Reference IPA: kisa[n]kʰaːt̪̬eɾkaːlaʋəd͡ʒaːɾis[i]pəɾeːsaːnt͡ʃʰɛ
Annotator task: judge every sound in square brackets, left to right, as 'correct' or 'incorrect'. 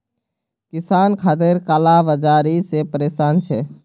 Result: correct, incorrect: e

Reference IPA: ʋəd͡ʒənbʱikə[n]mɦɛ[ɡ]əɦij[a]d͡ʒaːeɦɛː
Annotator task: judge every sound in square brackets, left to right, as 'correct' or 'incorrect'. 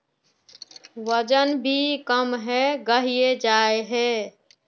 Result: incorrect: none, correct, incorrect: e

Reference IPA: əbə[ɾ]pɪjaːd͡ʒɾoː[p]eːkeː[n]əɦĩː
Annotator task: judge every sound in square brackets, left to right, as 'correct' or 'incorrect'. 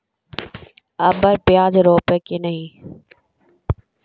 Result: correct, correct, correct

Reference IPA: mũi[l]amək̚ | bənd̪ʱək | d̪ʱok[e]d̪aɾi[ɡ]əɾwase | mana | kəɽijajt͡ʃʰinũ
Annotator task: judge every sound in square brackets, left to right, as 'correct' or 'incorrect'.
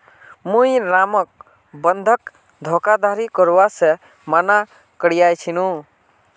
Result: incorrect: ɾ, incorrect: a, incorrect: k

